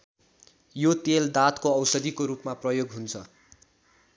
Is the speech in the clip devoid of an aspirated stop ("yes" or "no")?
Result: no